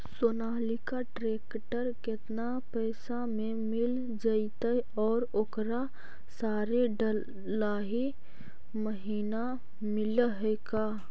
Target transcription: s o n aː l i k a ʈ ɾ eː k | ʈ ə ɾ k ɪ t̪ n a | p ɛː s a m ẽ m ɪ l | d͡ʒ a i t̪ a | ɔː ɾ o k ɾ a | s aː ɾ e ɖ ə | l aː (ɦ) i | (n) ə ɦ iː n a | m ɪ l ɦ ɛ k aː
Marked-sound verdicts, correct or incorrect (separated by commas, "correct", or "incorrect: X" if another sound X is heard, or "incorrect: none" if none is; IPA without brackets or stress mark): correct, incorrect: m